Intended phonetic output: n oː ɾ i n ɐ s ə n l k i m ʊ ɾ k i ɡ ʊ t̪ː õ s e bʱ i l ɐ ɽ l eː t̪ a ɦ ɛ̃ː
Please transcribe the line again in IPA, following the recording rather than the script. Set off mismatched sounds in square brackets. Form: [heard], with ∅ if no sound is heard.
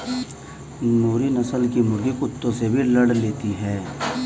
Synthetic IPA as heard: n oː ɾ i n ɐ s ə [∅] l k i m ʊ ɾ [ɡ] i [k] ʊ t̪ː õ s e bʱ i l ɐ ɽ l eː t̪ [i] ɦ [ɛː]

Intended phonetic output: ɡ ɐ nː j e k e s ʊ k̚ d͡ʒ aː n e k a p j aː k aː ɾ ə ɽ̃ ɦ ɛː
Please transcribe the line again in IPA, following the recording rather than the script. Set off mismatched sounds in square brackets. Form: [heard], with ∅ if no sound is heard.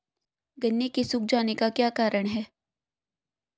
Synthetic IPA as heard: ɡ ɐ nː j e k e s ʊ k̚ d͡ʒ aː n e k a [k] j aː k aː ɾ ə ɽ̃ ɦ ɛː

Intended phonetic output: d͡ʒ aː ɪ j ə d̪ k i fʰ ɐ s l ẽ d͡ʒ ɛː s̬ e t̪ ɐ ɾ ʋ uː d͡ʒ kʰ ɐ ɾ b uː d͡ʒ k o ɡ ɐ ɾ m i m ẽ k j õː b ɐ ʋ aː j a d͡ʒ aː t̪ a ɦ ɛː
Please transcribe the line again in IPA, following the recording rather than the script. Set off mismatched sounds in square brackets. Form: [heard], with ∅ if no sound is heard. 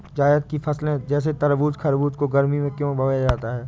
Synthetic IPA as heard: d͡ʒ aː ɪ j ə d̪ k i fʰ ɐ s l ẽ d͡ʒ ɛː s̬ e t̪ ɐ ɾ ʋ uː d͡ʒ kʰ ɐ ɾ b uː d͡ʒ k o ɡ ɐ ɾ m i m ẽ k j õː b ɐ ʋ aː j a d͡ʒ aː t̪ a ɦ ɛː

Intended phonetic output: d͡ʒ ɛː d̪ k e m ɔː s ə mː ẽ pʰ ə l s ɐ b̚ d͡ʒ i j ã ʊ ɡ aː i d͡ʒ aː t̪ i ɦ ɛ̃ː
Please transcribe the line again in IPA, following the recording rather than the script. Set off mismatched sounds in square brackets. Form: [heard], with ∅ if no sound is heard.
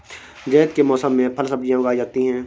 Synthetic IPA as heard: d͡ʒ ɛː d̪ k e m ɔː s ə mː ẽ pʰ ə l s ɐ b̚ d͡ʒ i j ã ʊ ɡ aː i d͡ʒ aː t̪ i ɦ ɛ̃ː

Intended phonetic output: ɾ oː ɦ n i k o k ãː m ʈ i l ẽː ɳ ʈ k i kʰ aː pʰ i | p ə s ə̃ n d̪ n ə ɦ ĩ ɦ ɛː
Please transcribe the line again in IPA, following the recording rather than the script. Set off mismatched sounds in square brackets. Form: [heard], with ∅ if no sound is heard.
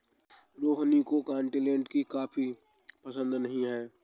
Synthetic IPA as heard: ɾ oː ɦ n i k o k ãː [ɳ] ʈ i l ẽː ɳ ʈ k i [k] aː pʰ i | p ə s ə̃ n d̪ n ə ɦ ĩ ɦ ɛː

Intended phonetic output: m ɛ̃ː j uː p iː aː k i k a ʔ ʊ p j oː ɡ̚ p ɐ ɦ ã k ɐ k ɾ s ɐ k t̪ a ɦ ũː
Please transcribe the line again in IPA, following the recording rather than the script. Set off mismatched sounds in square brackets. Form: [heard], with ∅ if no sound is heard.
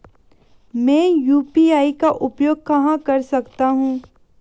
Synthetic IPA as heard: m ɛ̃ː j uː p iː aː [∅] i k a ʔ ʊ p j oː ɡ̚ [k] ɐ ɦ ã k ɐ [∅] ɾ s ɐ k t̪ a ɦ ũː

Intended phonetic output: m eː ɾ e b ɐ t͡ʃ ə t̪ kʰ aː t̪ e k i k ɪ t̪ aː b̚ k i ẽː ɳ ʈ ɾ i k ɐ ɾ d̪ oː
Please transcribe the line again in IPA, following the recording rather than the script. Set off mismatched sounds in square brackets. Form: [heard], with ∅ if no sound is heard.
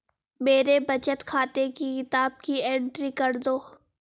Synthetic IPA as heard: m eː ɾ e b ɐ t͡ʃ ə t̪ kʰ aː t̪ e k i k ɪ t̪ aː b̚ k i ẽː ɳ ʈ ɾ i k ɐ ɾ d̪ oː

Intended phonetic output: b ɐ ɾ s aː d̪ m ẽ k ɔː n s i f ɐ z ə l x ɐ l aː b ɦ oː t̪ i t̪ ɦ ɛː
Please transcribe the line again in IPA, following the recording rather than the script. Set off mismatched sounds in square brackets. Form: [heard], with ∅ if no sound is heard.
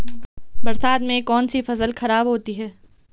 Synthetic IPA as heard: b ɐ ɾ s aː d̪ m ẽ k ɔː n s i f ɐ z ə l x ɐ [ɾ] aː b ɦ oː t̪ i [∅] ɦ ɛː

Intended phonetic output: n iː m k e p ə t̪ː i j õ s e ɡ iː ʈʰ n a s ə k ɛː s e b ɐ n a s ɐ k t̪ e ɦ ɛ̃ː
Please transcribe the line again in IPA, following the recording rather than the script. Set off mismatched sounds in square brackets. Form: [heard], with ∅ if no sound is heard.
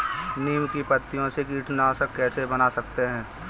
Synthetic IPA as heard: n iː m k [i] p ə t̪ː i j õ s e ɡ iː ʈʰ n a s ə k ɛː s e b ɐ n a s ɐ k t̪ e ɦ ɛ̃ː

